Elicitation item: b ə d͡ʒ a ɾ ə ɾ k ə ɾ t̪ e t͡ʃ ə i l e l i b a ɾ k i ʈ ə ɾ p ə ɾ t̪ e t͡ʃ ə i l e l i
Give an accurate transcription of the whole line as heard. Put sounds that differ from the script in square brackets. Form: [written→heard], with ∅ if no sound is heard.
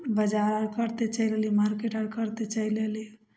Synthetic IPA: b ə d͡ʒ a ɾ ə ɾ k ə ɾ t̪ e t͡ʃ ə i l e l i [b→m] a ɾ k [i→e] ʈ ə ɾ [p→k] ə ɾ t̪ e t͡ʃ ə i l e l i